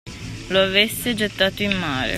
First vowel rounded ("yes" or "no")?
yes